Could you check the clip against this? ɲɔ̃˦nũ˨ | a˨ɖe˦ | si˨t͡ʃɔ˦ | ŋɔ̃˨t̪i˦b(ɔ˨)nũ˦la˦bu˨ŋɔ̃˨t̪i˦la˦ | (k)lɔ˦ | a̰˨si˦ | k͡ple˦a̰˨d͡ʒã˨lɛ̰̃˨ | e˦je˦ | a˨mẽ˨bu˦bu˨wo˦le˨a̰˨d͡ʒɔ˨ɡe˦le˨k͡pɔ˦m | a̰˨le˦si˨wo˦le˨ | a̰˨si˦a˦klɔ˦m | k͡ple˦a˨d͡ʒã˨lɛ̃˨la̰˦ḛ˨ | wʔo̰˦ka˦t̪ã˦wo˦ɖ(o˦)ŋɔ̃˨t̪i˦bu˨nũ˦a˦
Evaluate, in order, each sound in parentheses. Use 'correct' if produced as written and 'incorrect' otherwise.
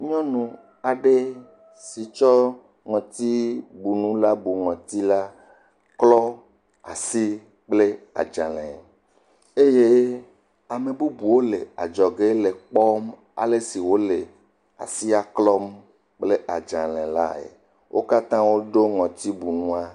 incorrect, correct, correct

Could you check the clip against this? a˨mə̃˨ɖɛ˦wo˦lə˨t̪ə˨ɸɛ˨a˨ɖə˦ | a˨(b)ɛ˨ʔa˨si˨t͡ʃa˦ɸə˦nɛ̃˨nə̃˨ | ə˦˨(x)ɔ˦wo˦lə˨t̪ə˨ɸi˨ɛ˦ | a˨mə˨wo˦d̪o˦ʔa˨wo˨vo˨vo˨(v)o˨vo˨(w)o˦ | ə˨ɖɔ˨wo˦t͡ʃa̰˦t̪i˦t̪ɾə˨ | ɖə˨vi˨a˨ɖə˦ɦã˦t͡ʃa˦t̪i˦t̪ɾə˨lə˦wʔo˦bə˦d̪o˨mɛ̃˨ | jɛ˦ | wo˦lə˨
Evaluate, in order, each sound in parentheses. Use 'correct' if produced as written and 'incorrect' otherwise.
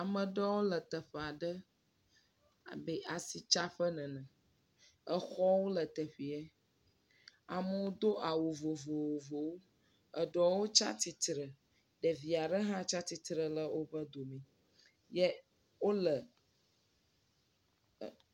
correct, correct, incorrect, correct

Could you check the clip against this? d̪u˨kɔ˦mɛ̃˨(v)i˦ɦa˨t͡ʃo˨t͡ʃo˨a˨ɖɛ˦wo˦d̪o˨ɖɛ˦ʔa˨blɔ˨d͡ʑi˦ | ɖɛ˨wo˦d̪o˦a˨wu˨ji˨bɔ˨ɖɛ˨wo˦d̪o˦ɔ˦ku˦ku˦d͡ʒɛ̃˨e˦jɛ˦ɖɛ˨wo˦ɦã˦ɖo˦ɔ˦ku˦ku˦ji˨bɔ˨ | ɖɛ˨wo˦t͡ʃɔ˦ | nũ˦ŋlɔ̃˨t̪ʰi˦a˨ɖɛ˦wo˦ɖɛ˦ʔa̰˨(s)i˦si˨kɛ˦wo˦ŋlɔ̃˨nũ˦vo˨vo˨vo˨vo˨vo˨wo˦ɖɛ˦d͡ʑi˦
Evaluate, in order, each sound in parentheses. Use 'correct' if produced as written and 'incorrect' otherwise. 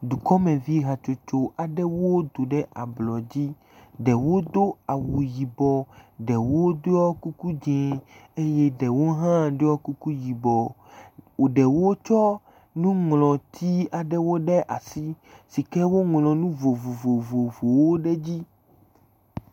correct, correct

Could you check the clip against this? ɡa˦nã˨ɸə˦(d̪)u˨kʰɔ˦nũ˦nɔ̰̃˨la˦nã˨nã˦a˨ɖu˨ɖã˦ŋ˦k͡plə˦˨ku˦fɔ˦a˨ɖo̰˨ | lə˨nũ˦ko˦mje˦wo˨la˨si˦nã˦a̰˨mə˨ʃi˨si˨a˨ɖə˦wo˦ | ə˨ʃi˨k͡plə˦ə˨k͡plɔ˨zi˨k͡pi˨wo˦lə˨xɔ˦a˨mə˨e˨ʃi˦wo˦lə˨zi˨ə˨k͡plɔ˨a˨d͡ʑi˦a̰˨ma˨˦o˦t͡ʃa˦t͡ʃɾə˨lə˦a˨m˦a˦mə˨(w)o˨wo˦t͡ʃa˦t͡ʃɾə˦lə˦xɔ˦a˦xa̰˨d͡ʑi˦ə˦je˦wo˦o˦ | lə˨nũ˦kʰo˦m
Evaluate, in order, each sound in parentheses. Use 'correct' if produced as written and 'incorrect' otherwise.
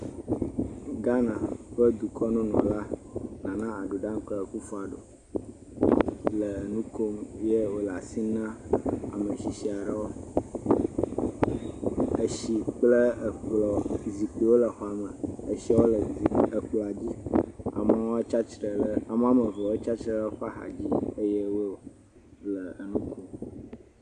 correct, incorrect

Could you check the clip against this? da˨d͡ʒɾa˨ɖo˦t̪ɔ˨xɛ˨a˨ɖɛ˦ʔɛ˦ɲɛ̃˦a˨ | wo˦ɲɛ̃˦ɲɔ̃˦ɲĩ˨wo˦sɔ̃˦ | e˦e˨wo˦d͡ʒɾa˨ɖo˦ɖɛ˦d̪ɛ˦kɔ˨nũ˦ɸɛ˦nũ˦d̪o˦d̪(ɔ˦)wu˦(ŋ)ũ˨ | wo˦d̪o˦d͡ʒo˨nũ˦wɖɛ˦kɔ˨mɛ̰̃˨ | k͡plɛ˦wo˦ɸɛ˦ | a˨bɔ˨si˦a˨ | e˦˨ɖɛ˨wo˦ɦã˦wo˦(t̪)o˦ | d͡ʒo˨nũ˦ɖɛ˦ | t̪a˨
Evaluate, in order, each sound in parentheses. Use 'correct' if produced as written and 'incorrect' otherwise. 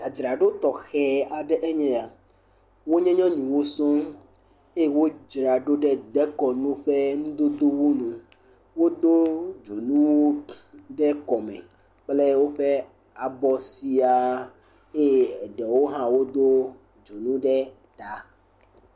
incorrect, incorrect, incorrect

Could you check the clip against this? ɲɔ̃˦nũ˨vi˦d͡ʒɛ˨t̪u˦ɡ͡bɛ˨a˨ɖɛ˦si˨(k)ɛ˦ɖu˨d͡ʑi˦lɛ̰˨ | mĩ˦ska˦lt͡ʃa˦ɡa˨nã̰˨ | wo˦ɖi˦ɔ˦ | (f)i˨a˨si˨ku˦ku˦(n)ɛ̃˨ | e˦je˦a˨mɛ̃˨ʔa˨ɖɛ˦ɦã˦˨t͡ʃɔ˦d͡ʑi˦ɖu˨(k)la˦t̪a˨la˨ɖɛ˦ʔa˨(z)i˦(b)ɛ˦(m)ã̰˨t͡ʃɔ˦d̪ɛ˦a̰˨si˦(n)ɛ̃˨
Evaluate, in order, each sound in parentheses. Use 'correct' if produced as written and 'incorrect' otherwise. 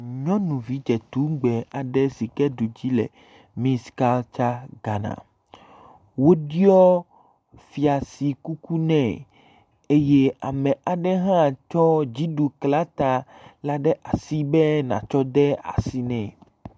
correct, correct, correct, correct, incorrect, correct, incorrect, correct

